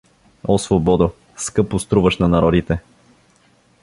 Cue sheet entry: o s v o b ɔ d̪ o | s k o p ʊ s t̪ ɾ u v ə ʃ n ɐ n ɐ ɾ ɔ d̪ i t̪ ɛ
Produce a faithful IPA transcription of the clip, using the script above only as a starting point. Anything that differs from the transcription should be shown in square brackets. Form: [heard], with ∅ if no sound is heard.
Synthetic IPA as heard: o s v o b ɔ d̪ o | s k [ɤ] p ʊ s t̪ ɾ u v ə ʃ n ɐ n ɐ ɾ ɔ d̪ i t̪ ɛ